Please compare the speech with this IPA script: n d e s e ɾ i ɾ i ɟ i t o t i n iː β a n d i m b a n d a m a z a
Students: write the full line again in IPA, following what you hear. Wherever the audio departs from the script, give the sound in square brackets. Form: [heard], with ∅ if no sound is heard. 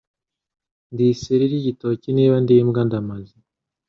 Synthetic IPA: n d [i] s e ɾ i ɾ i ɟ i t o [c] i n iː β a n d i m [ɡ] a n d a m a z [i]